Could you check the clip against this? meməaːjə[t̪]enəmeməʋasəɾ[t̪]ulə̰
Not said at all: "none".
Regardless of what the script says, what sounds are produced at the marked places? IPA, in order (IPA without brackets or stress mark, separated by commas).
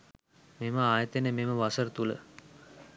t̪, t̪